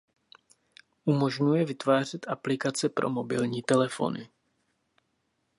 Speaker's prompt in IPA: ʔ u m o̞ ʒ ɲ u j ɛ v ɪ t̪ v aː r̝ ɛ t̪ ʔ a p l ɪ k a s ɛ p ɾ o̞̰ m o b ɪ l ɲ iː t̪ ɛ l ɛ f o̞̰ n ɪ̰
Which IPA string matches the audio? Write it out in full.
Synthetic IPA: ʔ u m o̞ ʒ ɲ u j ɛ v ɪ t̪ v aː r̝ ɛ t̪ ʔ a p l ɪ k a t͡s ɛ p ɾ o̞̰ m o b ɪ l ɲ iː t̪ ɛ l ɛ f o̞̰ n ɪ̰